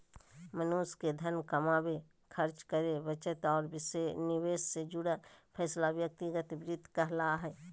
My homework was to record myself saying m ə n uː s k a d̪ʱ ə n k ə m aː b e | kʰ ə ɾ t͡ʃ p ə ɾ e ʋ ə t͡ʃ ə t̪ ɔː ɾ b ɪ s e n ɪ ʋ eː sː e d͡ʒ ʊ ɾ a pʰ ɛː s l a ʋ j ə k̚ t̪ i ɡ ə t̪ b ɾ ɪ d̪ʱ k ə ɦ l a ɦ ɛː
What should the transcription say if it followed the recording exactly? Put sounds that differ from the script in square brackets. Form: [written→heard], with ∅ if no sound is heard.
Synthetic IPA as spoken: m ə n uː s k [a→e] d̪ʱ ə n k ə m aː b e | kʰ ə ɾ t͡ʃ [p→k] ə ɾ e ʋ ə t͡ʃ ə t̪ ɔː ɾ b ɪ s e n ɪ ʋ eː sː e d͡ʒ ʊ [ɾ→ɽ] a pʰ ɛː s l a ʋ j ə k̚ t̪ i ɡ ə t̪ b ɾ ɪ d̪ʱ k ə ɦ l a ɦ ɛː